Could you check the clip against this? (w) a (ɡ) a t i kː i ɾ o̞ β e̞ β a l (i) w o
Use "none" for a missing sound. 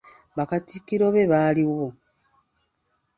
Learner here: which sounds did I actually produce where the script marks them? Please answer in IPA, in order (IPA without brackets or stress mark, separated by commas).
β, k, i